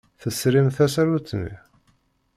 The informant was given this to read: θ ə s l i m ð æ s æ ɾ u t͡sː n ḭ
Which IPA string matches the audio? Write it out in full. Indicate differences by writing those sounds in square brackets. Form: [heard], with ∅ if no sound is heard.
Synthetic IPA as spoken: θ ə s [ɾ] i m [θ] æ s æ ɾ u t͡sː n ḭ